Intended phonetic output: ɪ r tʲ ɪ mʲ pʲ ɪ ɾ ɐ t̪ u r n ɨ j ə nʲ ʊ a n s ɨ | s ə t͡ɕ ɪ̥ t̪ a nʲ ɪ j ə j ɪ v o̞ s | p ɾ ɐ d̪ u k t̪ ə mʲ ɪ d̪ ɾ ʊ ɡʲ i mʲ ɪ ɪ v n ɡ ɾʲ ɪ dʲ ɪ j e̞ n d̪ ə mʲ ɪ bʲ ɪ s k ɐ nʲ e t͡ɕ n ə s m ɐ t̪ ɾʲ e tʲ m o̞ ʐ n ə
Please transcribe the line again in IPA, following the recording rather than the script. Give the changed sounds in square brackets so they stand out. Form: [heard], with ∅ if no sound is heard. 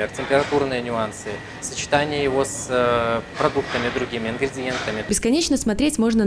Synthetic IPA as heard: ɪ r tʲ ɪ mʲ pʲ ɪ ɾ ɐ t̪ u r n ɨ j ə nʲ ʊ a n s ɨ | s ə t͡ɕ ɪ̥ t̪ a nʲ ɪ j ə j ɪ v o̞ s | p ɾ ɐ d̪ u k t̪ ə mʲ ɪ d̪ ɾ ʊ ɡʲ i mʲ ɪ ɪ [∅] n ɡ ɾʲ ɪ dʲ ɪ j e̞ n [t̪] ə mʲ ɪ bʲ ɪ s k ɐ nʲ e t͡ɕ n ə s m ɐ t̪ ɾʲ e tʲ m o̞ ʐ n ə